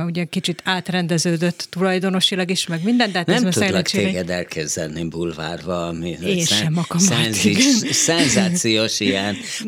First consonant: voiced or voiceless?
voiced